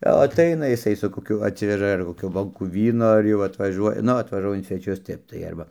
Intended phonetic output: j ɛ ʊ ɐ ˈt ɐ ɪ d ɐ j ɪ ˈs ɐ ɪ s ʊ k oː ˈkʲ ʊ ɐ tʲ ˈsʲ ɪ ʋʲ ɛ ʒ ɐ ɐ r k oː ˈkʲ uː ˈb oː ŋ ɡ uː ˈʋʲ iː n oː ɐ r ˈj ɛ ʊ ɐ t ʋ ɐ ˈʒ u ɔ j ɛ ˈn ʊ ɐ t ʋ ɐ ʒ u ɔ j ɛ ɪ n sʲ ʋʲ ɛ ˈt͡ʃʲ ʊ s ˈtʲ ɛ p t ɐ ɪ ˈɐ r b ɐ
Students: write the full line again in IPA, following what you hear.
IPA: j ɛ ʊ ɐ ˈt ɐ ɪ n ɐ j ɪ ˈs ɐ ɪ s ʊ k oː ˈkʲ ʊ ɐ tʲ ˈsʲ ɪ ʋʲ ɛ ʒ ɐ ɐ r k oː ˈkʲ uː ˈb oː ŋ k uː ˈʋʲ iː n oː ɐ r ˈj ɛ ʊ ɐ t ʋ ɐ ˈʒ u ɔ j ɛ ˈn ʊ ɐ t ʋ ɐ ʒ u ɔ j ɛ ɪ n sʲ ʋʲ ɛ ˈt͡ʃʲ ʊ s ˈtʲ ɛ p t ɐ ɪ ˈɐ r b ɐ